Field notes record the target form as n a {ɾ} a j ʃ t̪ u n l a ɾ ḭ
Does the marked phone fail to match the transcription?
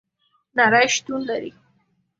no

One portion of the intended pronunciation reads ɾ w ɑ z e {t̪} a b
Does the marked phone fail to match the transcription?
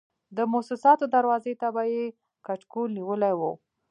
no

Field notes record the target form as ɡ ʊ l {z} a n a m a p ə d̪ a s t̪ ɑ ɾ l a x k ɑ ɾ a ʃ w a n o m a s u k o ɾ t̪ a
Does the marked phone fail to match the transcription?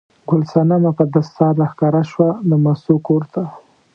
yes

